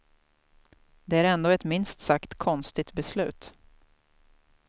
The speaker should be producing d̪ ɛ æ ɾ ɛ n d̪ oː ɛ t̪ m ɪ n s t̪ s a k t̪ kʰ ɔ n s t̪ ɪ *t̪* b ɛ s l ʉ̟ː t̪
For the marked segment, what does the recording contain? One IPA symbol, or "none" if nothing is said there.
t̪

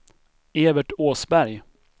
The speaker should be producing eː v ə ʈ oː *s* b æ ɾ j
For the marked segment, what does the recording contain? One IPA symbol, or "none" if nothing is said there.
s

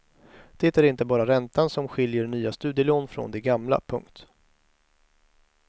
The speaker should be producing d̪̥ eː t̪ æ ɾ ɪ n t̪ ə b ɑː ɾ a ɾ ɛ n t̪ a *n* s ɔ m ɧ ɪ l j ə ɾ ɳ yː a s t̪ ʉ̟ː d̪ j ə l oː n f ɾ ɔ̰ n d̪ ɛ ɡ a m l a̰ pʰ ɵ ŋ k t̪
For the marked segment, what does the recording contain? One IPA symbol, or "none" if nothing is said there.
n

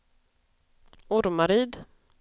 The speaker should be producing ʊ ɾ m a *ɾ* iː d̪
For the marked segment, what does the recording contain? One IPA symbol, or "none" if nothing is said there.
ɾ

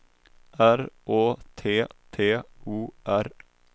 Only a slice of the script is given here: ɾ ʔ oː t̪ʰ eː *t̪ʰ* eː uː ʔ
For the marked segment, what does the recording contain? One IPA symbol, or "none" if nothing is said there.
t̪ʰ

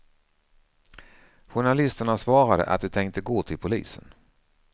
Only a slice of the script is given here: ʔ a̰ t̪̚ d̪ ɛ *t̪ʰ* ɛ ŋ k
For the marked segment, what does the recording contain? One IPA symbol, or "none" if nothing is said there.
t̪ʰ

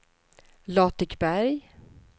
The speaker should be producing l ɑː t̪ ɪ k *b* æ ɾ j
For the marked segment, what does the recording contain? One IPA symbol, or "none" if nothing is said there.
b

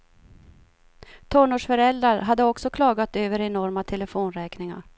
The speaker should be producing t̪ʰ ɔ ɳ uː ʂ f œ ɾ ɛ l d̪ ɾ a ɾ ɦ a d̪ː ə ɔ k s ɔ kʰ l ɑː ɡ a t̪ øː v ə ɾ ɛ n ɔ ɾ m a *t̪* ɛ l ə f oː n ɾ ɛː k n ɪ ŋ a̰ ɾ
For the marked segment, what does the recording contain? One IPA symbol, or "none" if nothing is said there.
t̪ʰ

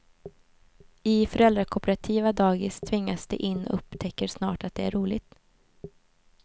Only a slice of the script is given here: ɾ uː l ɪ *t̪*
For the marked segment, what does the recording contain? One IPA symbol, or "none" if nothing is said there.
t̪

